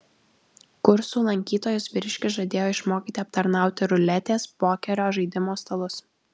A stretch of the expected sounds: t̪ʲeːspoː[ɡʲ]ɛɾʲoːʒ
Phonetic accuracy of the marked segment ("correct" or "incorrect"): incorrect